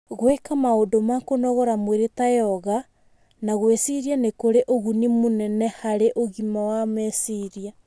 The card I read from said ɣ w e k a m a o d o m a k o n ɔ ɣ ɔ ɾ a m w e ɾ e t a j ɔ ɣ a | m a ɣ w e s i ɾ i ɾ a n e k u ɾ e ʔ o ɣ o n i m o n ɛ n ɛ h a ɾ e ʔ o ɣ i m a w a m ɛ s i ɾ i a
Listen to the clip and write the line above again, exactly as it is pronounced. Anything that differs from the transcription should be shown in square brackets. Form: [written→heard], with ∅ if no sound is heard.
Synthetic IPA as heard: ɣ w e k a m a o d o m a k o n ɔ ɣ ɔ ɾ a m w e ɾ e t a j ɔ ɣ a | [m→n] a ɣ w e s i ɾ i [ɾ→∅] a n e k [u→o] ɾ e ʔ o ɣ [o→u] n i m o n ɛ n ɛ h a ɾ e ʔ o ɣ i m a w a m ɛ s i ɾ i a